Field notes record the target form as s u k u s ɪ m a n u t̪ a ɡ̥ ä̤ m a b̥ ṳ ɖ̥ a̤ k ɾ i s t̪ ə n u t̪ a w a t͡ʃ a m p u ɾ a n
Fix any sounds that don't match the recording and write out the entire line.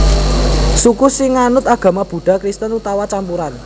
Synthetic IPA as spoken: s u k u s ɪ ŋ a n ʊ t̪ a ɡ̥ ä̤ m a b̥ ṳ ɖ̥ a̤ k ɾ i s t̪ ə n u t̪ a w a t͡ʃ a m p u ɾ a n